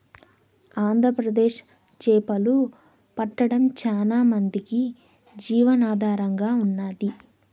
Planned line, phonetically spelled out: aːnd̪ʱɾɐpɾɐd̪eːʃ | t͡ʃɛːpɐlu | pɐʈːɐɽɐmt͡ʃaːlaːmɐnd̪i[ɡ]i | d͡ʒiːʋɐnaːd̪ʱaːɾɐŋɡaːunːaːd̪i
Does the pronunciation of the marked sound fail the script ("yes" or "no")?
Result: yes